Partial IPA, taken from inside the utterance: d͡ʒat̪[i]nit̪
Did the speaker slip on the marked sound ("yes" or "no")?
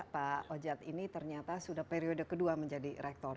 no